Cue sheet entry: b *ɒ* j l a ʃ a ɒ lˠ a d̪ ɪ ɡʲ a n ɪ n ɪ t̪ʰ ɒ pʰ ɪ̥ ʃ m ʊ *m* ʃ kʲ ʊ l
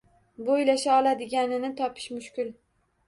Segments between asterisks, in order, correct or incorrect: incorrect: o, incorrect: none

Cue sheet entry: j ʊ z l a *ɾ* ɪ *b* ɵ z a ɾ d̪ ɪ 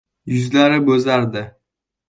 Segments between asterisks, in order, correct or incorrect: correct, correct

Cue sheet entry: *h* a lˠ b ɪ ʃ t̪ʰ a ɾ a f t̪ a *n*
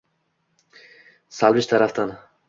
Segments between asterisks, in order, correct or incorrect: incorrect: s, correct

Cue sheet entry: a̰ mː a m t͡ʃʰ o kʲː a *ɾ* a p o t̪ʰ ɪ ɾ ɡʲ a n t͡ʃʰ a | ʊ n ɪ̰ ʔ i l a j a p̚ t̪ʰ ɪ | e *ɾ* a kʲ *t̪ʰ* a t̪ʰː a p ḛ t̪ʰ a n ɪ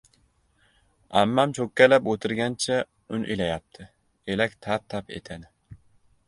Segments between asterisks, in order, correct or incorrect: incorrect: l, incorrect: l, correct

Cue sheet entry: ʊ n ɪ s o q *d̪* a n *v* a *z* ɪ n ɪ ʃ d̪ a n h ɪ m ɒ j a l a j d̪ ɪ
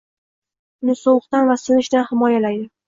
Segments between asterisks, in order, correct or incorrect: incorrect: t̪, correct, incorrect: s

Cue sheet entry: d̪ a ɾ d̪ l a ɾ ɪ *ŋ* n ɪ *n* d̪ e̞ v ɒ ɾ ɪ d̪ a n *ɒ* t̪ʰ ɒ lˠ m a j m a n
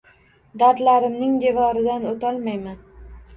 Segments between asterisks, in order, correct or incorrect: incorrect: m, incorrect: ŋ, incorrect: o

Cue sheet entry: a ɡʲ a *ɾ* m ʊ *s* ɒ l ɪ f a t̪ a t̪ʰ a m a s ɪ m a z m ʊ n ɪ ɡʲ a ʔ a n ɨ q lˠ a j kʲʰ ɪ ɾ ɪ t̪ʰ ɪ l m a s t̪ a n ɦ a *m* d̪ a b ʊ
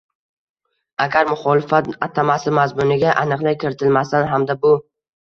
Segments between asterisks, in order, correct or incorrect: correct, incorrect: χ, correct

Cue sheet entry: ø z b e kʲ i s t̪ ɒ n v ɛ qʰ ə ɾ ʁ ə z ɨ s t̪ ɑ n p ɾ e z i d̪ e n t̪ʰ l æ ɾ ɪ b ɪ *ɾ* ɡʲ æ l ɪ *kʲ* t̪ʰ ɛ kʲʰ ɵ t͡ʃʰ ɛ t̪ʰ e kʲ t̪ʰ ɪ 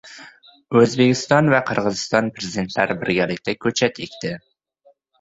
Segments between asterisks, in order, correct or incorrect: correct, correct

